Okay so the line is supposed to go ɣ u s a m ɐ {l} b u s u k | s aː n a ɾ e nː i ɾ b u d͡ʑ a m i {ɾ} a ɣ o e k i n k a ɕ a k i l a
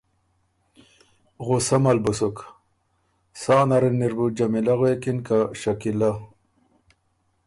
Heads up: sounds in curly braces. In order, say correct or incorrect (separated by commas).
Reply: correct, incorrect